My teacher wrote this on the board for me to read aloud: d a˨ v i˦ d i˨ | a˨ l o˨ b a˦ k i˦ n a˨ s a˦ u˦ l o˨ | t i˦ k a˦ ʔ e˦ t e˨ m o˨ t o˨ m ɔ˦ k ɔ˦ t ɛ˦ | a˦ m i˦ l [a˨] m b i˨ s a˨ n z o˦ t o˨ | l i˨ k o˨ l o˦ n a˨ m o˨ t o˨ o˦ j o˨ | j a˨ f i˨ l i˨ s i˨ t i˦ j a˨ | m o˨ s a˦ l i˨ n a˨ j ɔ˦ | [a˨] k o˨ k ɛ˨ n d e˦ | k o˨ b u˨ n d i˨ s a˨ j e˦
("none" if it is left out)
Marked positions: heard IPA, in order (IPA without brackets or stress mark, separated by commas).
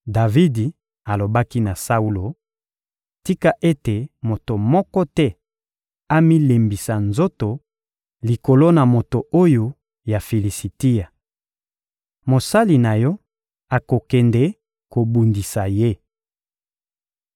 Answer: e˨, a˨